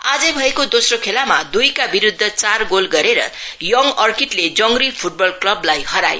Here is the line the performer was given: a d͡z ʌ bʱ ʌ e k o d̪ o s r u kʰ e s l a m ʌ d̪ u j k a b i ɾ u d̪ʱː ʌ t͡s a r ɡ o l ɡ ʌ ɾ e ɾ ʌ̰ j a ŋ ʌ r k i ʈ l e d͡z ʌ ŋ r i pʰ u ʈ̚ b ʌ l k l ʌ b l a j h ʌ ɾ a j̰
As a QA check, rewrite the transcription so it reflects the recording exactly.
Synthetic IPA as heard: a d͡z ʌ bʱ ʌ e k o d̪ o s r o kʰ e l a m a d̪ u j k a b i ɾ u d̪ʱː ʌ t͡s a r ɡ o l ɡ ʌ ɾ e ɾ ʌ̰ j ʌ ŋ ʌ r k i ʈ l e d͡z ʌ ŋ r i pʰ u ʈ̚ b ʌ l k l ʌ b l a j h ʌ ɾ a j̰